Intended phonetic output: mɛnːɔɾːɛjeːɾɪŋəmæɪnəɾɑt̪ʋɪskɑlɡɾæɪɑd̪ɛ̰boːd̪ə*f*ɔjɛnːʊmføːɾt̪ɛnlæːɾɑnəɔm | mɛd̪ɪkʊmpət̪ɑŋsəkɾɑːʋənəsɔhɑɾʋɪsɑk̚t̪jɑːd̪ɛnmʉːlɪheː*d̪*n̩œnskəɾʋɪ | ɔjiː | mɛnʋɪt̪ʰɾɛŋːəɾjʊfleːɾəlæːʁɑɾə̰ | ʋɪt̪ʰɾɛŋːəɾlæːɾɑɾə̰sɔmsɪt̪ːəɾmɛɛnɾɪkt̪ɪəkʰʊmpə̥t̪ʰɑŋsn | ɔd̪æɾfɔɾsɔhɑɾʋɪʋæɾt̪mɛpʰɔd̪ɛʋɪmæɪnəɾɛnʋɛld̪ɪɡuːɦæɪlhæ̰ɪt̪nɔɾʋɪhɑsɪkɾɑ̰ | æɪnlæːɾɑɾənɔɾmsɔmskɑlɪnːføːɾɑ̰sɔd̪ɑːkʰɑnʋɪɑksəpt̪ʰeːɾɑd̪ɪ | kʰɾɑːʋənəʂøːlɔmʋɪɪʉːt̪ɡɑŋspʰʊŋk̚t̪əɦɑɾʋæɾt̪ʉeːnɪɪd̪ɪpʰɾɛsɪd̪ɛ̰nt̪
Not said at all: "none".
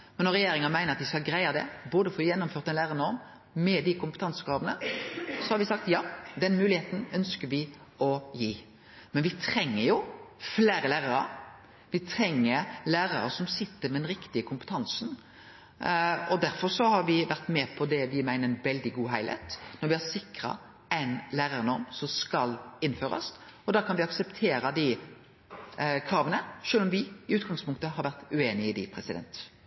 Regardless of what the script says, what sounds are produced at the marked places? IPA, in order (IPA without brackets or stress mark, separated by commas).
f, t̪